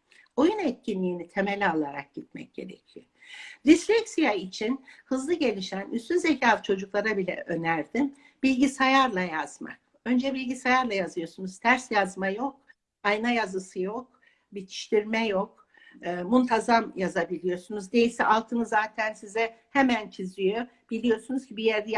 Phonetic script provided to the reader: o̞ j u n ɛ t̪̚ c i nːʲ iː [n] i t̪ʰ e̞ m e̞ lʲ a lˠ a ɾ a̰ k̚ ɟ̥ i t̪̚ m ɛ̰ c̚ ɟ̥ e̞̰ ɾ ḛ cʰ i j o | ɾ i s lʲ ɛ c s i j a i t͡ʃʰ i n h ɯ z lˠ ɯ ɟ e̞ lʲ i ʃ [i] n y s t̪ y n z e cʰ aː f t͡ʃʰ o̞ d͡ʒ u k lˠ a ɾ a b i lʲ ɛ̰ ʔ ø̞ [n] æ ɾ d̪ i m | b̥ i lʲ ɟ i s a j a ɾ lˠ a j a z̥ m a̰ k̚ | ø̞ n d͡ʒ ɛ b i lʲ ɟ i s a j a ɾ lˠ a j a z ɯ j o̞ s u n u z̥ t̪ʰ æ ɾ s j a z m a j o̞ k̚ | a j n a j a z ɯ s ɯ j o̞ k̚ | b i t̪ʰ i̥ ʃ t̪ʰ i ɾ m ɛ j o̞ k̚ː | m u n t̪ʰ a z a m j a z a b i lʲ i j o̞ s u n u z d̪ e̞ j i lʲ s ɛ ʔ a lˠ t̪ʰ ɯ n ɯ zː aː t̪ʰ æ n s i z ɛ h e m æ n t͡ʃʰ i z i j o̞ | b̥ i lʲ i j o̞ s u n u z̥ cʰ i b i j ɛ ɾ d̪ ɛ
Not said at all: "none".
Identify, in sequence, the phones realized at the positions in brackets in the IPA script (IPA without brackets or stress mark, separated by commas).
n, æ, n